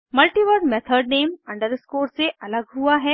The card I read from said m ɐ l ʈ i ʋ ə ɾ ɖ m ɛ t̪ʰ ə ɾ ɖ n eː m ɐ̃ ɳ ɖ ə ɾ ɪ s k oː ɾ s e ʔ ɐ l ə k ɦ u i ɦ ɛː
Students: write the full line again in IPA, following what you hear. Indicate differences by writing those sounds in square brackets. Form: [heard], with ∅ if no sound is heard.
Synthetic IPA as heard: m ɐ l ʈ i ʋ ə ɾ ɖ m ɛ t̪ʰ ə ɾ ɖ n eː m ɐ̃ ɳ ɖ ə ɾ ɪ s k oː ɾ s e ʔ ɐ l ə [ɡ] ɦ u [a] ɦ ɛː